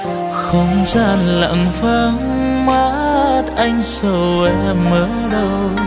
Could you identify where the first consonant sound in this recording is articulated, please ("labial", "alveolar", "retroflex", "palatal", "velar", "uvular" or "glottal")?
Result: velar